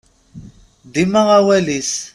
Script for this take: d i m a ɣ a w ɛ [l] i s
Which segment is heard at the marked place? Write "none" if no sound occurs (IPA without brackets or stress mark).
l